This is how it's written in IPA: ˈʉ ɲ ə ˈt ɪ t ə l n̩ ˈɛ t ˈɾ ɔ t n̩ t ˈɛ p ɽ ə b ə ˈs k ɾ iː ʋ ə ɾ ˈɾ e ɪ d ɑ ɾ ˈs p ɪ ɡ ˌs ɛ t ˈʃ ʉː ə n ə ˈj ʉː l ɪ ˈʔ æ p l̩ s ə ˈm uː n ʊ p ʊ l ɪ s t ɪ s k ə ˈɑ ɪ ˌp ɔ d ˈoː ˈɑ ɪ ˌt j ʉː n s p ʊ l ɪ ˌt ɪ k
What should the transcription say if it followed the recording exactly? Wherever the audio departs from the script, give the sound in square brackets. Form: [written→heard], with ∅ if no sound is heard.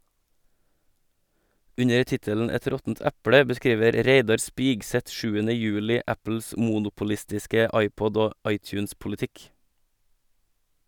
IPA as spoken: ˈʉ ɲ ə ˈt ɪ t ə l n̩ ˈɛ t ˈɾ ɔ t n̩ t ˈɛ p ɽ ə b ə ˈs k ɾ iː ʋ ə ɾ ˈɾ e ɪ d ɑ ɾ ˈs p ɪ ɡ ˌs ɛ t ˈʃ ʉː ə n ə ˈj ʉː l ɪ ˈʔ æ p l̩ s ə ˈm uː n ʊ p ʊ l ɪ s t ɪ s k ə ˈɑ ɪ ˌp ɔ d ˈoː ˈɑ ɪ ˌt j ʉː n s p ʊ l ɪ ˌt ɪ k